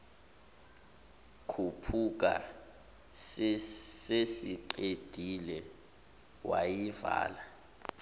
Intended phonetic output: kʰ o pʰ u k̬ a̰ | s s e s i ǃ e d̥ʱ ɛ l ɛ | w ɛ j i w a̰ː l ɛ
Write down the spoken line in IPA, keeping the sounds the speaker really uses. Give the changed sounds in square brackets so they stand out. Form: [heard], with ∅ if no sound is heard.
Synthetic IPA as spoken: kʰ [u] pʰ u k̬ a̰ | s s e s i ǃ e d̥ʱ [i] l ɛ | w [a] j i [v] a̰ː l [a]